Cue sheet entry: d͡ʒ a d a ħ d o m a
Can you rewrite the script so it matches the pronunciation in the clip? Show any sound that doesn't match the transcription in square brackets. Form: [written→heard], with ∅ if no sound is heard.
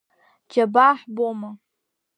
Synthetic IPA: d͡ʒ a [d→b] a ħ [d→b] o m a

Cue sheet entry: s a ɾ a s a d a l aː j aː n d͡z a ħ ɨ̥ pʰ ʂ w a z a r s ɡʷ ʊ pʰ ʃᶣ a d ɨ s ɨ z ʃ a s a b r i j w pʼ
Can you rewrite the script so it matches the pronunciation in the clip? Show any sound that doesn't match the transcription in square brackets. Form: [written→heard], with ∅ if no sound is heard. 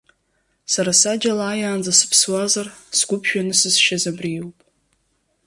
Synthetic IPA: s a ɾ a s a [d→d͡ʒ] a l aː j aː n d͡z a [ħ→s] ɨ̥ pʰ [ʂ→s] w a z a r s ɡʷ ʊ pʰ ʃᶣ a [d→n] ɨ s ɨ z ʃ a [s→z] a b r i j w pʼ

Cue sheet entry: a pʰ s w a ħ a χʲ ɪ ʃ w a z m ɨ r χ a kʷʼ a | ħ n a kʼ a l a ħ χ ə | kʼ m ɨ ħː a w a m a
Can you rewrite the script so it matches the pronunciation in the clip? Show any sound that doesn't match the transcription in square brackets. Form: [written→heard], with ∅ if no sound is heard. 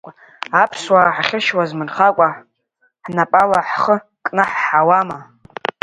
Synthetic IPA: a pʰ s w a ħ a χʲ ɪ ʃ w a z m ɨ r χ a kʷʼ a | ħ n a [kʼ→pʼ] a l a ħ χ ə | kʼ [m→n] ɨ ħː a w a m a

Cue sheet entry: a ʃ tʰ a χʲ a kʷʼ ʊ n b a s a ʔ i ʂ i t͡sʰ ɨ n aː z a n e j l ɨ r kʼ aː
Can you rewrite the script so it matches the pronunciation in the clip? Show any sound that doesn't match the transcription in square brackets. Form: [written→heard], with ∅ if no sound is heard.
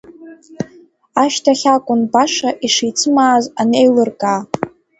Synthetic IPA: a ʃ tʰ a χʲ a kʷʼ ʊ n b a [s→ʂ] a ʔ i ʂ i t͡sʰ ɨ [n→m] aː z a n e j l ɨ r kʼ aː

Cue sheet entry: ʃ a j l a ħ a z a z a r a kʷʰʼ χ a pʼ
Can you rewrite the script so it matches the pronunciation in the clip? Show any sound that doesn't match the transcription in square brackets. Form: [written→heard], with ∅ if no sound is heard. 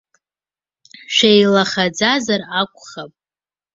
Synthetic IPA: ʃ [a→e] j l a [ħ→χ] a [z→d͡z] a z a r a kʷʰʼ χ a pʼ

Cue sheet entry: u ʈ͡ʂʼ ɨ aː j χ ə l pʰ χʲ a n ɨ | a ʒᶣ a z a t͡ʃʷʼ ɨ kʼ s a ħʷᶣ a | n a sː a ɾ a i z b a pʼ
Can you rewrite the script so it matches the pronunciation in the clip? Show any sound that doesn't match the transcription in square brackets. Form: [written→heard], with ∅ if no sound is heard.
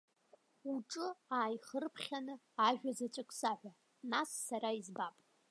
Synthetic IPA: u ʈ͡ʂʼ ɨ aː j χ ə [l→r] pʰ χʲ a n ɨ | a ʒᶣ a z a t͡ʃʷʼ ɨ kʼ s a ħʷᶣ a | n a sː a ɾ a i z b a pʼ

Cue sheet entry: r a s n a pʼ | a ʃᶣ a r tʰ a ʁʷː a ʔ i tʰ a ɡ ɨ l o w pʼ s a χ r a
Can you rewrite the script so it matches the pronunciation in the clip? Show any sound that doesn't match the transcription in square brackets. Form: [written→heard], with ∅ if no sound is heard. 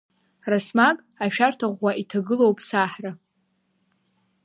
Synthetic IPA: r a s [n→m] a [pʼ→kʼ] | a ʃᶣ a r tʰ a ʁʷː a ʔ i tʰ a ɡ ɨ l o w pʼ s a [χ→ħ] r a

